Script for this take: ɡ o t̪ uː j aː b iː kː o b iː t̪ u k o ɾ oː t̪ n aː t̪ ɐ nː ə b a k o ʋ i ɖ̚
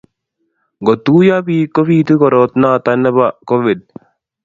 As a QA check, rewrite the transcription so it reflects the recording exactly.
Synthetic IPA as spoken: ɡ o t̪ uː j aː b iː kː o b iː t̪ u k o ɾ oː t̪ n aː t̪ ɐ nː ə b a k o ʋ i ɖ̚